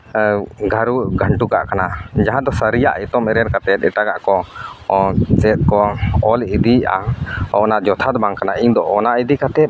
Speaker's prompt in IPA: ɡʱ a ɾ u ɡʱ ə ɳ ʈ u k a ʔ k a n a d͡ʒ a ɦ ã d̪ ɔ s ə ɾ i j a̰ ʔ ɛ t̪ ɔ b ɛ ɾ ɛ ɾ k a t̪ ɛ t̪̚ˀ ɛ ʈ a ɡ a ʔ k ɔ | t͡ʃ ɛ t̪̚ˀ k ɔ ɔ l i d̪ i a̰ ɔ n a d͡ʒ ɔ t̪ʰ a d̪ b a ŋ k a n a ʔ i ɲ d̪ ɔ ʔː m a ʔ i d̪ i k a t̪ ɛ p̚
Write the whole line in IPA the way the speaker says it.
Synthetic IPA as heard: ɡʱ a ɾ u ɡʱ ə ɳ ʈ u k a ʔ k a n a d͡ʒ a ɦ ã d̪ ɔ s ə ɾ i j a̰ ʔ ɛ t̪ ɔ m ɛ ɾ ɛ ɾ k a t̪ ɛ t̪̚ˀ ɛ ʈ a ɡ a ʔ k ɔ | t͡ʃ ɛ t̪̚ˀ k ɔ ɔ l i d̪ i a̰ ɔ n a d͡ʒ ɔ t̪ʰ a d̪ b a ŋ k a n a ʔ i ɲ d̪ ɔ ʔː n a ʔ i d̪ i k a t̪ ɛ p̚